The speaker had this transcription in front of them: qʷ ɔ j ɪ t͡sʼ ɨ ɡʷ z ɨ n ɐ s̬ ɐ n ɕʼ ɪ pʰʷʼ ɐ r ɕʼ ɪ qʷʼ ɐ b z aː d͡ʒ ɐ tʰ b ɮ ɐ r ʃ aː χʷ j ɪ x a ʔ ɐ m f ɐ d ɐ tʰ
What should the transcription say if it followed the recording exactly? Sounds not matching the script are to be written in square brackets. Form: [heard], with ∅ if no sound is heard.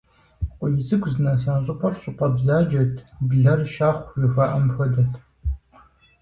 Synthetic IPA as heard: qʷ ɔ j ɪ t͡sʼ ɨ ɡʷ z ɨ n ɐ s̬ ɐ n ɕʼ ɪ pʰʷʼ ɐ r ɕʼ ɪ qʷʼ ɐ b z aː d͡ʒ ɐ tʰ b ɮ ɐ r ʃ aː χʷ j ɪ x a ʔ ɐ m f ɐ d ɐ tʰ